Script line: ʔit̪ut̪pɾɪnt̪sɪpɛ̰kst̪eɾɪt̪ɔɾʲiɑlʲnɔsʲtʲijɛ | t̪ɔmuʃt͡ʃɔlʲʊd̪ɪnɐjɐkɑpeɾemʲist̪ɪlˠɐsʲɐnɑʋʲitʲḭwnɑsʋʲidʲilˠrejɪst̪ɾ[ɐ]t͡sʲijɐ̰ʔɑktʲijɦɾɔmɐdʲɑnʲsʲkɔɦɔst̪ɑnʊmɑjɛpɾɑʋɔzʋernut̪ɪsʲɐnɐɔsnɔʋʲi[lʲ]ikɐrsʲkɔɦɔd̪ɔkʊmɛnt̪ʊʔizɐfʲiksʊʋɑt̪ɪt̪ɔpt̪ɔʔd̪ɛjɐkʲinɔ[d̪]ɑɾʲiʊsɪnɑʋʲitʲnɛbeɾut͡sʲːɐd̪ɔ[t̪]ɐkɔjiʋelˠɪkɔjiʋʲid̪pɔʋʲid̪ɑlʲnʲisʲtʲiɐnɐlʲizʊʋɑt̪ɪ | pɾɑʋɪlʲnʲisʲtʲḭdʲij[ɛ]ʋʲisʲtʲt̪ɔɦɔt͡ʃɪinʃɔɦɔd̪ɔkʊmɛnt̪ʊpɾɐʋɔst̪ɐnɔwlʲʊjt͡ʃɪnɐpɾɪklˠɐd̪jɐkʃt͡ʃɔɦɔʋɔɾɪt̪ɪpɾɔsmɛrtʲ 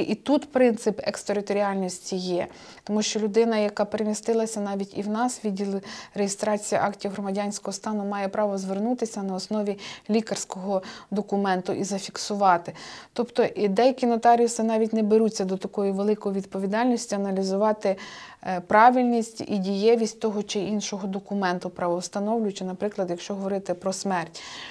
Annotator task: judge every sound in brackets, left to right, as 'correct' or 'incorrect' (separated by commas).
incorrect, correct, incorrect, correct, correct